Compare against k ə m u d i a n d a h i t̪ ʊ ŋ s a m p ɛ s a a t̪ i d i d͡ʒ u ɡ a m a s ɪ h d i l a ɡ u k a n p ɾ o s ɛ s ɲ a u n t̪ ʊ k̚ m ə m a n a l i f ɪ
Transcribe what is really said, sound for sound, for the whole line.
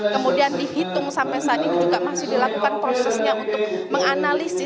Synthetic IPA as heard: k ə m u d i a n d i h i t̪ ʊ ŋ s a m p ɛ s a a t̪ i n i d͡ʒ u ɡ a m a s ɪ h d i l a k u k a n p ɾ o s ɛ s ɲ a u n t̪ ʊ k̚ m ə ŋ a n a l i s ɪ